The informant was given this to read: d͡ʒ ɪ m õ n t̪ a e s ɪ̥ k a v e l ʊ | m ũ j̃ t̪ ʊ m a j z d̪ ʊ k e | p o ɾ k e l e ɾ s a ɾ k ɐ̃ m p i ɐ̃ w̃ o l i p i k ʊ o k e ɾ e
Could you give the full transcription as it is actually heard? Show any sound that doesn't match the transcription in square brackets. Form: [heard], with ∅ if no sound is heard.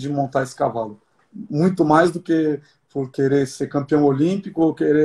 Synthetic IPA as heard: d͡ʒ ɪ m õ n t̪ a e s ɪ̥ k a v [a] l ʊ | m ũ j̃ t̪ ʊ m a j z d̪ ʊ k e | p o ɾ k e [ɾ] e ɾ s [e] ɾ k ɐ̃ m p i ɐ̃ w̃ o l [ĩ] p i k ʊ o k e ɾ e